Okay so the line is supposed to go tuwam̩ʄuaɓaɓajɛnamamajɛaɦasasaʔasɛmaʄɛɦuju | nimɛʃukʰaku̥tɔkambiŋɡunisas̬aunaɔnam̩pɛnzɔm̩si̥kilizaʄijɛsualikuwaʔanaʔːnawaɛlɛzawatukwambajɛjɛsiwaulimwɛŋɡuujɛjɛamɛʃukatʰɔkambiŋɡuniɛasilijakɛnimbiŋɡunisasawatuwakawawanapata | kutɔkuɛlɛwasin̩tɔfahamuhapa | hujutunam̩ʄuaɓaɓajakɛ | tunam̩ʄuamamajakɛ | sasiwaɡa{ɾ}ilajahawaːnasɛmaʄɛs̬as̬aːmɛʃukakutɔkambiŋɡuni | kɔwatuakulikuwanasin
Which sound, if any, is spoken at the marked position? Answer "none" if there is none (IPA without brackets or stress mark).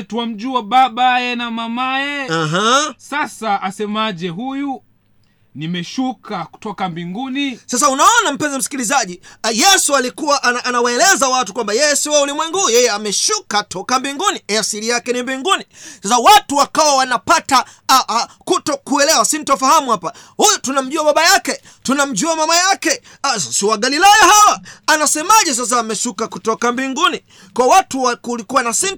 l